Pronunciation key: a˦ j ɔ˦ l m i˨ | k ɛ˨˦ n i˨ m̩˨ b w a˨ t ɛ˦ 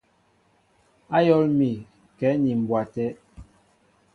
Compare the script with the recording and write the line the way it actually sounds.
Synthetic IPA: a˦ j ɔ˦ l m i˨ | k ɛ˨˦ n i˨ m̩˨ b w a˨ t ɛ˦